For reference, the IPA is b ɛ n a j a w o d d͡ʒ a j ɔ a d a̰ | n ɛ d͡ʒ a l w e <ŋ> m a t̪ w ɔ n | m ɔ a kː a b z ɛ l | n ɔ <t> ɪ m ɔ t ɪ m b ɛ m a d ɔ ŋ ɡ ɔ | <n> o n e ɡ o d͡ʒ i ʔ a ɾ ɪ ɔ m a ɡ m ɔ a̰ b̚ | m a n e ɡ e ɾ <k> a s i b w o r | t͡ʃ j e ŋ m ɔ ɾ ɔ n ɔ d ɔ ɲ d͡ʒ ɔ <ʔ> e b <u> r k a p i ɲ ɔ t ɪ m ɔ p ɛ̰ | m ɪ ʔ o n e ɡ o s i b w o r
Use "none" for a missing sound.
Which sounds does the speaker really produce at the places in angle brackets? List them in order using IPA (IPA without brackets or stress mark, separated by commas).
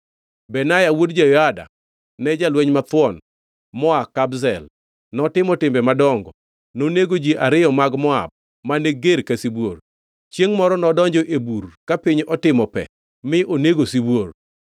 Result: ɲ, t, n, k, ʔ, u